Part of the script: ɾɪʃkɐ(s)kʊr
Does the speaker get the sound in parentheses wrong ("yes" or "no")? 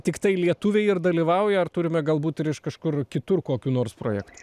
yes